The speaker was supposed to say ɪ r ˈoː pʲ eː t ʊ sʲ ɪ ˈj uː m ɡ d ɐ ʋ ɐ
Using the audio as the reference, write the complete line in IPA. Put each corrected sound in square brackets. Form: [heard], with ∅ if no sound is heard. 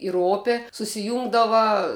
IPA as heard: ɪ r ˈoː pʲ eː [s] ʊ sʲ ɪ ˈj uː [ŋ] ɡ d ɐ ʋ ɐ